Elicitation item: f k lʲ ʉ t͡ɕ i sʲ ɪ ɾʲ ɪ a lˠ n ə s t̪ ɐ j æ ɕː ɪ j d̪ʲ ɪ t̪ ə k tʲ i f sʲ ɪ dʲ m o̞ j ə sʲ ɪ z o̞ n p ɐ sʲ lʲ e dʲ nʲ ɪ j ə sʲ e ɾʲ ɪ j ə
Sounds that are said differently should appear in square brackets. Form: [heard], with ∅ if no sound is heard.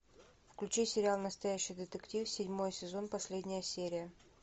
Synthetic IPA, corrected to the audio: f k lʲ ʉ t͡ɕ i sʲ ɪ ɾʲ ɪ a lˠ n ə s t̪ ɐ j æ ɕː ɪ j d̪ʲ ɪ t̪ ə k tʲ i f sʲ ɪ dʲ m o̞ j ə sʲ ɪ z o̞ n p ɐ sʲ lʲ e dʲ nʲ ɪ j ə sʲ e ɾʲ ɪ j ə